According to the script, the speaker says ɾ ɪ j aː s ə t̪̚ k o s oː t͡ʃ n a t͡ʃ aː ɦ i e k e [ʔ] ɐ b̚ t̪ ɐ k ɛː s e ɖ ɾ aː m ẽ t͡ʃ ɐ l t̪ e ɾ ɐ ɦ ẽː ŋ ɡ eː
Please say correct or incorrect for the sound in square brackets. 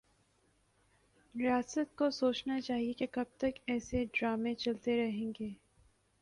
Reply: incorrect